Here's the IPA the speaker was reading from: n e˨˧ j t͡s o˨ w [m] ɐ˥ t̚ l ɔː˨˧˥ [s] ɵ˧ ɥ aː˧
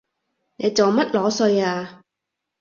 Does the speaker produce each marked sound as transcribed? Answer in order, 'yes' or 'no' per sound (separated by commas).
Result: yes, yes